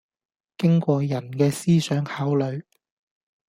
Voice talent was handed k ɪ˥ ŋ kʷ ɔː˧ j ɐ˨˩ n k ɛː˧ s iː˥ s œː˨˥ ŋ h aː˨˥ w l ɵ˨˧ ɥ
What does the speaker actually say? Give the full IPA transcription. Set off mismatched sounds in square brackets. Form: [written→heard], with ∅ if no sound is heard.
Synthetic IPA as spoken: k ɪ˥ ŋ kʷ ɔː˧ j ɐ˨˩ n k ɛː˧ s iː˥ s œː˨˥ ŋ h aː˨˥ w l ɵ˨˧ ɥ